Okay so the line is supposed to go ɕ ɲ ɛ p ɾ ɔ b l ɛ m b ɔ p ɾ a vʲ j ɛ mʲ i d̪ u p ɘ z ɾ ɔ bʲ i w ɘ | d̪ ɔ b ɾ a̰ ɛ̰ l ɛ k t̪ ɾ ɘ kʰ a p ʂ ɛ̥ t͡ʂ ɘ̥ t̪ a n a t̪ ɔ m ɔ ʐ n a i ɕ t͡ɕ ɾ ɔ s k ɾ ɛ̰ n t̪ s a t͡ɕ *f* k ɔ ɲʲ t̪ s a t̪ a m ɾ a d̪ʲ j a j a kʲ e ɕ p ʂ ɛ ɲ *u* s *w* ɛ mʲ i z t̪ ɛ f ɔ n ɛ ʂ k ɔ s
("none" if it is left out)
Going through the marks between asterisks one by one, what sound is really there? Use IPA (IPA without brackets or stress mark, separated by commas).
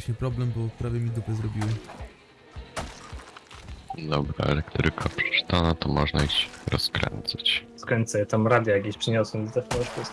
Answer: s, ɔ, w